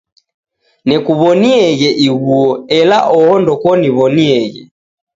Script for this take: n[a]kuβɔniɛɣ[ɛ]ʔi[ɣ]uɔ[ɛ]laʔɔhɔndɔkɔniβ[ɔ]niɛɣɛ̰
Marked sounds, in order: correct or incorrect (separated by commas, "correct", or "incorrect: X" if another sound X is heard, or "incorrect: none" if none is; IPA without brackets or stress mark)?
incorrect: ɛ, correct, correct, correct, correct